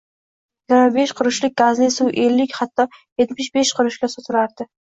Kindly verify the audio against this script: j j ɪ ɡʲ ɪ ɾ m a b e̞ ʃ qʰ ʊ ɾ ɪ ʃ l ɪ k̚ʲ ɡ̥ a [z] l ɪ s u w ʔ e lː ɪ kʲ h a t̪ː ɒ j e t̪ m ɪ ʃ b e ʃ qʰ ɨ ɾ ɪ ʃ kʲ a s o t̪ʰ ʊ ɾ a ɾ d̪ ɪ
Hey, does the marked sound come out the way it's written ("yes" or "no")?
yes